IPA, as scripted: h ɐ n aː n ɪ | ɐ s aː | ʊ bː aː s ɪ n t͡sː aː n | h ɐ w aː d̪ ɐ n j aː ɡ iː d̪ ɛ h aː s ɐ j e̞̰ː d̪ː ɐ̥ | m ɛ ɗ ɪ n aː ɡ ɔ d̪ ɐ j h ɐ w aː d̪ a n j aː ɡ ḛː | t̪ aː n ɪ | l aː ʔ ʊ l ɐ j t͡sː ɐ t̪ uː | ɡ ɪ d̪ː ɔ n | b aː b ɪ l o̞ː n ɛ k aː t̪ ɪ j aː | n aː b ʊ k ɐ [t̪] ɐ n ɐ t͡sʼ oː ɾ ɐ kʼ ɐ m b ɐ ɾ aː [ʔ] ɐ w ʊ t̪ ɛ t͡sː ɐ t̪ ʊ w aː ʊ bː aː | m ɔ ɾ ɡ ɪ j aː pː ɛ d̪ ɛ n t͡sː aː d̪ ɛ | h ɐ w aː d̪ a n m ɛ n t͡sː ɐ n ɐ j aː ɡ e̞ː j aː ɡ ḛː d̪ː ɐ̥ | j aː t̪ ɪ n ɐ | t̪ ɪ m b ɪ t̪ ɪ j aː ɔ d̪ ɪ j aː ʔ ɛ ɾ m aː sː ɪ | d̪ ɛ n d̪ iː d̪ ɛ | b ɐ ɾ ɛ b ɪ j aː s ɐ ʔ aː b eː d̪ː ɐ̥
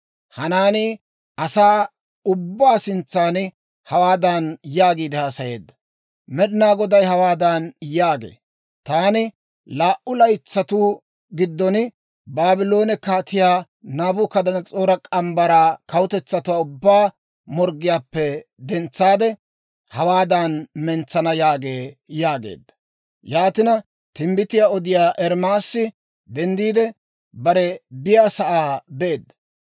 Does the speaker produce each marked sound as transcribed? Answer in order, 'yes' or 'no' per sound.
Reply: no, no

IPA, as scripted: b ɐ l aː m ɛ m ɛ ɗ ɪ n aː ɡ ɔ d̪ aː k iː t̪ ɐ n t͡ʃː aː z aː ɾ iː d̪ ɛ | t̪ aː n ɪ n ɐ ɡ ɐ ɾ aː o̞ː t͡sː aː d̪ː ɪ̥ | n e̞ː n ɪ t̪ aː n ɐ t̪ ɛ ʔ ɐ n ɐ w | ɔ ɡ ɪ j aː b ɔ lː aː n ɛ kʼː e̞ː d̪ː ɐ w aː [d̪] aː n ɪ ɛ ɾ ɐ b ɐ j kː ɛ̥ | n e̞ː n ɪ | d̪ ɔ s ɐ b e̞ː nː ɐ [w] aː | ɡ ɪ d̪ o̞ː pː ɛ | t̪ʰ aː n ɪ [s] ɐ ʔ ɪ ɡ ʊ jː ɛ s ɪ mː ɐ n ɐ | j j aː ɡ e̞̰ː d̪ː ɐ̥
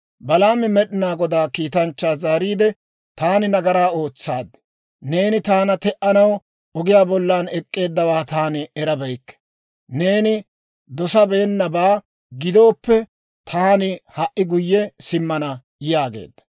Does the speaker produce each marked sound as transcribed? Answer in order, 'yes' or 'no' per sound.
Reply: no, no, no

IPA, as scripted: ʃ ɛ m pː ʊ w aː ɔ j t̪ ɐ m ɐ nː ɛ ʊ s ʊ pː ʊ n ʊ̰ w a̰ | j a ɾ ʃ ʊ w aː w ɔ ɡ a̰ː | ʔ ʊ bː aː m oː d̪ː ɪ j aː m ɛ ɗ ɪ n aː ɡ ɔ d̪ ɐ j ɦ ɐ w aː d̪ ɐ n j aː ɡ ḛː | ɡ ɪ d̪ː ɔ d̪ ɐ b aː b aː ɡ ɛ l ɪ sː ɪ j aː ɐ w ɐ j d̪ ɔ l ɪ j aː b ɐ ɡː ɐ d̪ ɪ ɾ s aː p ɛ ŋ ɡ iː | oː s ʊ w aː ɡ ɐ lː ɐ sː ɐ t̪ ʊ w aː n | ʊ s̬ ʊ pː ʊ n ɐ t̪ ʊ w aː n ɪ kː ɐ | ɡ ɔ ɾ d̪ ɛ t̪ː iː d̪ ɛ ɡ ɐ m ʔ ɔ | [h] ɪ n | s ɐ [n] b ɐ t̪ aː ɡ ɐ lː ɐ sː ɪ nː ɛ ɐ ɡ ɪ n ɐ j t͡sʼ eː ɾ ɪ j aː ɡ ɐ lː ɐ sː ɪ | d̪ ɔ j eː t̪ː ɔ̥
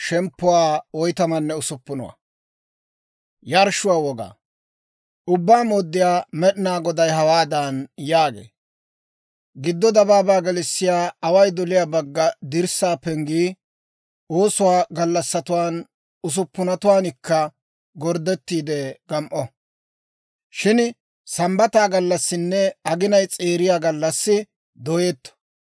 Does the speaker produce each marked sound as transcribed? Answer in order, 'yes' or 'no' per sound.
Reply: no, no

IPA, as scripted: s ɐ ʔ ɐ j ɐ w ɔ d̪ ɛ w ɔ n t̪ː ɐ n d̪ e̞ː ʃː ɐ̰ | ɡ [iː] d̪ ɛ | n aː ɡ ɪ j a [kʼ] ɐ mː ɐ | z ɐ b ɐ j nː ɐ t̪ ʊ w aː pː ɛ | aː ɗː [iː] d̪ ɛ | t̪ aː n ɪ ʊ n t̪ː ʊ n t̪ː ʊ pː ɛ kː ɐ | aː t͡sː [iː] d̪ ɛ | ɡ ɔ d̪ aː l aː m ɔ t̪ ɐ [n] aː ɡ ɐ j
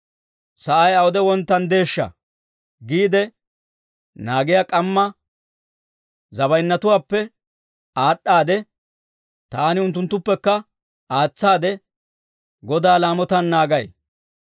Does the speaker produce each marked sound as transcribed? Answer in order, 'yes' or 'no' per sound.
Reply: yes, yes, no, no, no

